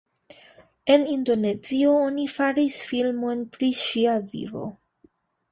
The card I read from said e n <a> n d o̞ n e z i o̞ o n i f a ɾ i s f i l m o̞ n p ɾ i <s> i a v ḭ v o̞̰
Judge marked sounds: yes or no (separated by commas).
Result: no, no